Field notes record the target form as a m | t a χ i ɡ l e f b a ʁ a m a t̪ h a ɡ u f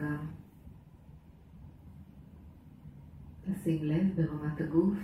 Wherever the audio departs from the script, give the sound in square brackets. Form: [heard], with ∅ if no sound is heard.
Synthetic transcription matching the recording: a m | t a [s] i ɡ l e [v] b [e] ʁ a m a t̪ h a ɡ u f